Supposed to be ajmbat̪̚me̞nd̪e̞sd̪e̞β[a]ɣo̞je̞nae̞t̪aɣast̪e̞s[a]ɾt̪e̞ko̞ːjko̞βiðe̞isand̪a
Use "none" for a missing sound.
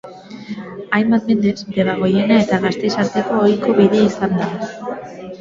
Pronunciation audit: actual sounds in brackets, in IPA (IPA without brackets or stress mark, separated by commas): a, a